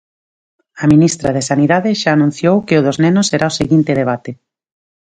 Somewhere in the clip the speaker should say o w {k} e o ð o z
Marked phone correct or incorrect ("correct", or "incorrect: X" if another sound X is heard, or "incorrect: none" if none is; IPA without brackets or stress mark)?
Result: correct